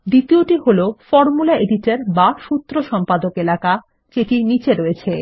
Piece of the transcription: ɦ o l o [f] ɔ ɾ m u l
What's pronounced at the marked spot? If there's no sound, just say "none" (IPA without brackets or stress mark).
f